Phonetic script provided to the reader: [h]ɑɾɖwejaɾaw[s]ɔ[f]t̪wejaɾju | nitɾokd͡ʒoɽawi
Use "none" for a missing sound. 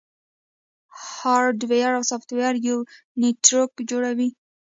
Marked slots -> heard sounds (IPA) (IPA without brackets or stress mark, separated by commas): h, s, f